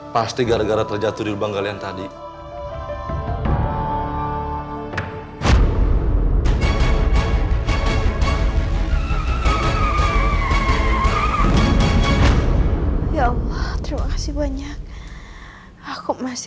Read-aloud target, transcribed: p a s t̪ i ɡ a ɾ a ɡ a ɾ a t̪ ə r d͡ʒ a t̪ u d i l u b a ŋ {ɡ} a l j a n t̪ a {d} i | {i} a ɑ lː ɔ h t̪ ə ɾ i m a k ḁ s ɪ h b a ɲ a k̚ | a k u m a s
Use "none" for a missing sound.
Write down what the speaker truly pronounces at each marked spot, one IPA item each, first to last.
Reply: ɡ, d, j

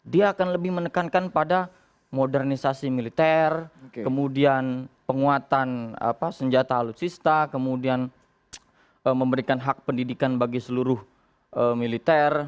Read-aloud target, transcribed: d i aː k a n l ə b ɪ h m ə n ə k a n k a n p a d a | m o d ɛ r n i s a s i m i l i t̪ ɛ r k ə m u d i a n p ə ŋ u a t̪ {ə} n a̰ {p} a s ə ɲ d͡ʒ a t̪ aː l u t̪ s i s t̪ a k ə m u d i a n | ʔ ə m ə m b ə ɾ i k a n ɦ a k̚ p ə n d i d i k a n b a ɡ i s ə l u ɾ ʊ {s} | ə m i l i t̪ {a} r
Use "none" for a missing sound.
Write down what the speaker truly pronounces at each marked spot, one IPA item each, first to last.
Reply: a, p, h, ɛ

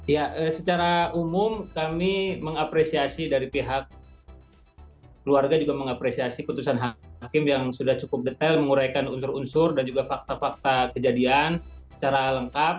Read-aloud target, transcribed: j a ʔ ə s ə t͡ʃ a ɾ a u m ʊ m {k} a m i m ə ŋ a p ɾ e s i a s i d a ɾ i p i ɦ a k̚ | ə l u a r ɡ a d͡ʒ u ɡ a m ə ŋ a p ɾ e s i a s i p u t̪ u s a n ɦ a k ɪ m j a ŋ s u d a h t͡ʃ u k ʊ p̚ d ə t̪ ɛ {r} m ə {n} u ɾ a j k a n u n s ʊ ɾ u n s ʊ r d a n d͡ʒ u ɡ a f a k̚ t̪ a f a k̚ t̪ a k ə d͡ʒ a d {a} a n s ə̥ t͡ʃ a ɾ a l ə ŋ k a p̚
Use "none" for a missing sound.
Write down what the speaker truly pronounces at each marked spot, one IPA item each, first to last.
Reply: k, l, ŋ, i

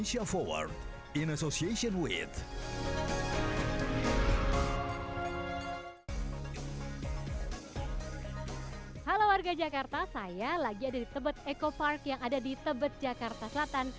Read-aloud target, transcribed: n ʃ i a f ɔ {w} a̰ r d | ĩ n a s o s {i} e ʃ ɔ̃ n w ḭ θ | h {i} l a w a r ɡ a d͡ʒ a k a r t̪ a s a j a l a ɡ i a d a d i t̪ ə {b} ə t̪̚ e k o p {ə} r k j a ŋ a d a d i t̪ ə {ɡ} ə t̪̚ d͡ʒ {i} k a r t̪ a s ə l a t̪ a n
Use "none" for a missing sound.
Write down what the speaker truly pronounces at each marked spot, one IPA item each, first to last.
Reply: w, i, a, b, a, b, a

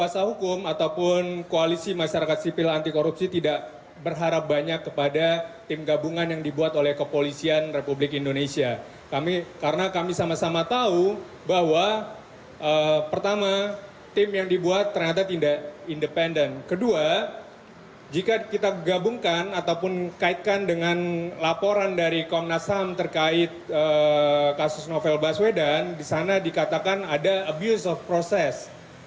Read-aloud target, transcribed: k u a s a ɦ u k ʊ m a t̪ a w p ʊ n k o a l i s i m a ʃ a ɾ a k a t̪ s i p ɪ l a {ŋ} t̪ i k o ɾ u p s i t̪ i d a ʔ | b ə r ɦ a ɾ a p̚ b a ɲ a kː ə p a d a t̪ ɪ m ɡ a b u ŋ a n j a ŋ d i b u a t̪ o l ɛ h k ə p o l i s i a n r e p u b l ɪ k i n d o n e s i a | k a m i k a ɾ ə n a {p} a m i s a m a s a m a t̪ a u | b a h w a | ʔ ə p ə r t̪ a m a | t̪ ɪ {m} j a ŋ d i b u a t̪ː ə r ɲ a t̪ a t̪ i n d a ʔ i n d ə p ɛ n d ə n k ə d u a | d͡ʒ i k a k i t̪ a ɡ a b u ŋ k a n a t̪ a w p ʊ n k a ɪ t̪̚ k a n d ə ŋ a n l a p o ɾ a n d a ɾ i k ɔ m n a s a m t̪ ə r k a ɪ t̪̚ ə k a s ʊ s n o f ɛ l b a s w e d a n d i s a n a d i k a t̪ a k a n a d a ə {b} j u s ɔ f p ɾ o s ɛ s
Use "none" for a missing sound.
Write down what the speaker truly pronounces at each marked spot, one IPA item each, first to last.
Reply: n, k, m, b

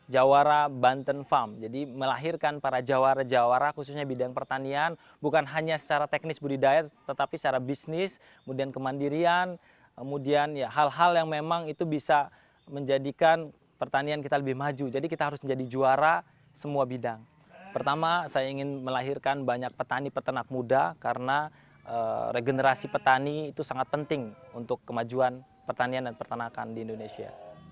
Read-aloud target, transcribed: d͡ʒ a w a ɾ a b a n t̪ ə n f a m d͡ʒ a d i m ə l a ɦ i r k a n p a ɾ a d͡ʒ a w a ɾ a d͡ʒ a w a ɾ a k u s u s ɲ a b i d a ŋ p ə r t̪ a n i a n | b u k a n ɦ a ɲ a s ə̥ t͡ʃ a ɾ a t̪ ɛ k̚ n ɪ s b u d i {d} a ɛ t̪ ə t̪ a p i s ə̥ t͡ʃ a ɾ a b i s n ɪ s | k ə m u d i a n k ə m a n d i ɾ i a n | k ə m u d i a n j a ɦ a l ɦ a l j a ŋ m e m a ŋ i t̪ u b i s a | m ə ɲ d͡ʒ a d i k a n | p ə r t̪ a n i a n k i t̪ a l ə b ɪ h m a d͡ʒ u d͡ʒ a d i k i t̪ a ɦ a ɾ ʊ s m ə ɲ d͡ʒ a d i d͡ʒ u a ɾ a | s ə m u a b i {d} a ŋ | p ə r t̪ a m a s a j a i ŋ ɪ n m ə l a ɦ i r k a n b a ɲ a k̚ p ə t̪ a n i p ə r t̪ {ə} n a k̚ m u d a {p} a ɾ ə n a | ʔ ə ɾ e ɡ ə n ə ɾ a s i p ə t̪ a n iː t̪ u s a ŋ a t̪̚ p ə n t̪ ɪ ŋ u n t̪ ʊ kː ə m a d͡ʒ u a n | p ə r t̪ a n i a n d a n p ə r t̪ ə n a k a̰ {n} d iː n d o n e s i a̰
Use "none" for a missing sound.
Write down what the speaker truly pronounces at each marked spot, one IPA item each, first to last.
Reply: d, d, ə, k, n

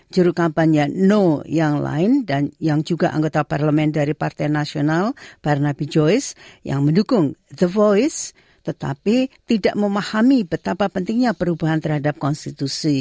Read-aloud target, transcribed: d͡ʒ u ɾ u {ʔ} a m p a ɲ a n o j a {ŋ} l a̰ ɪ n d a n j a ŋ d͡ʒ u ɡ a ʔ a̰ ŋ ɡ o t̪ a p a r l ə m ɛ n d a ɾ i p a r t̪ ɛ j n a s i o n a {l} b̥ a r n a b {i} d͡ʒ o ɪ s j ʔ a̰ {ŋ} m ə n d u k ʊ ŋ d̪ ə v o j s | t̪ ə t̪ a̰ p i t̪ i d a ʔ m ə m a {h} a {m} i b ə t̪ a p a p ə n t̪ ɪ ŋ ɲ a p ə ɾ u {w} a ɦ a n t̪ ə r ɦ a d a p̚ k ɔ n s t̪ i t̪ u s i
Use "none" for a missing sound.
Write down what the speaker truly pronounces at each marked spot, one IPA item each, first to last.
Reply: k, ŋ, l, i, ŋ, h, m, b

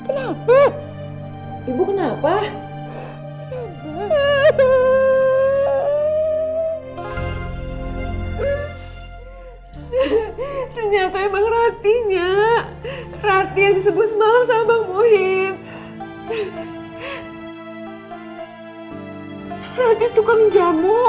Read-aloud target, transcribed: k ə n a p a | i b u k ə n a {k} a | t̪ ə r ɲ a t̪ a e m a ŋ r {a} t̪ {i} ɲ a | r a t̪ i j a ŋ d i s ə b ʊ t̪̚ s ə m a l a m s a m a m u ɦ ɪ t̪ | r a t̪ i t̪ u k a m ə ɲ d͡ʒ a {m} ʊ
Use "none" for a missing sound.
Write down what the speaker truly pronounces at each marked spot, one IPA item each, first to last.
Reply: p, a, i, m

